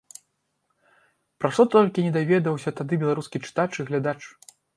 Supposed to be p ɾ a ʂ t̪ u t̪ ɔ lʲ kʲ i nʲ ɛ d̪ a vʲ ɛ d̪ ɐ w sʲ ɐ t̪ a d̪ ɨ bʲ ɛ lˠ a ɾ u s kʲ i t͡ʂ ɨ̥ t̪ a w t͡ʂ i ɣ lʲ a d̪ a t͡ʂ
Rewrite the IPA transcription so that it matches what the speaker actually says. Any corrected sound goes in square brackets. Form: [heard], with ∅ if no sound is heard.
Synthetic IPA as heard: p ɾ a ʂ t̪ [ɔ] t̪ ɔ lʲ kʲ i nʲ ɛ d̪ a vʲ ɛ d̪ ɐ w sʲ ɐ t̪ a d̪ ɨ bʲ ɛ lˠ a ɾ u s kʲ i t͡ʂ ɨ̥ t̪ a [∅] t͡ʂ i ɣ lʲ a d̪ a t͡ʂ